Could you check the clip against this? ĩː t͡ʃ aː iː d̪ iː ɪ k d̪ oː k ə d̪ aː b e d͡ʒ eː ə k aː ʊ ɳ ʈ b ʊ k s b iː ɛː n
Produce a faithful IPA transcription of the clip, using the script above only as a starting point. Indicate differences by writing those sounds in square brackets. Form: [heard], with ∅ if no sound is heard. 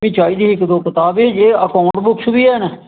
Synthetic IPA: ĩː t͡ʃ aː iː d̪ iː ɪ k d̪ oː k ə [t̪] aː b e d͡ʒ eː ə k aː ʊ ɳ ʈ b ʊ k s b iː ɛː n